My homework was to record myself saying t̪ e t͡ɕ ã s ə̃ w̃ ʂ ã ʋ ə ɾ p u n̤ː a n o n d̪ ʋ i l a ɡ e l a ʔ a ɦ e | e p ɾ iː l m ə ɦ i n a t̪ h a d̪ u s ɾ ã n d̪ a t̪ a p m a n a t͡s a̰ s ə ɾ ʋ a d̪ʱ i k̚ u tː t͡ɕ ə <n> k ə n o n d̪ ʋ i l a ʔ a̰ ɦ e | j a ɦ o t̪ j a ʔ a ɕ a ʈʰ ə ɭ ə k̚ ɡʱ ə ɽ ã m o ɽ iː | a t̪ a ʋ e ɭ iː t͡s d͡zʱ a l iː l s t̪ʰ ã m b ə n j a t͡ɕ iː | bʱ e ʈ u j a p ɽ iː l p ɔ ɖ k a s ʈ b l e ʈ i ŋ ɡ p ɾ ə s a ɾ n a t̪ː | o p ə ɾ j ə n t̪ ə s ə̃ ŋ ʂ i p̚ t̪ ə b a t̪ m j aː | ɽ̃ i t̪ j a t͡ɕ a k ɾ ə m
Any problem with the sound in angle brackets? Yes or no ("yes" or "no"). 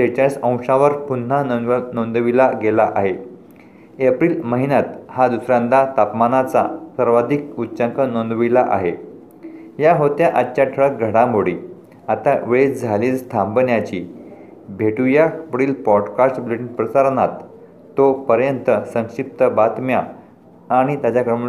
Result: yes